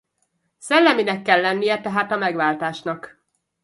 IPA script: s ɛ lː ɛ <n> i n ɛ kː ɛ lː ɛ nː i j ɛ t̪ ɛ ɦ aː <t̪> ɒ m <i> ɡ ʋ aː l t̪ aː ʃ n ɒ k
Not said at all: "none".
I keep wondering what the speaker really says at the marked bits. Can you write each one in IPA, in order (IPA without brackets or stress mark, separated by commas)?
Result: m, t̪, ɛ